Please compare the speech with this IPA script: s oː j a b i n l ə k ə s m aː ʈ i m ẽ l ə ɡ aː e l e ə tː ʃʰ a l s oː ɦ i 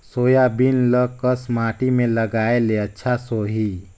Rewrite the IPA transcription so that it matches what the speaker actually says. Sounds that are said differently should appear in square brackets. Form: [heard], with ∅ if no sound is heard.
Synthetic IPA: s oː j a b i n l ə k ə s m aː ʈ i m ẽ l ə ɡ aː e l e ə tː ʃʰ a [∅] s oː ɦ i